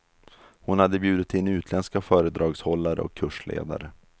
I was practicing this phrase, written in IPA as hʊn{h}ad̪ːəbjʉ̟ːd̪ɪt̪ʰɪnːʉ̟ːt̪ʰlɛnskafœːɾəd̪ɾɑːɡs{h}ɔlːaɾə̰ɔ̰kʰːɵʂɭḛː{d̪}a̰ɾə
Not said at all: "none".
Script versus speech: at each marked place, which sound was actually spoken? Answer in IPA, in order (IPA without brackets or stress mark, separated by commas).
h, h, d̪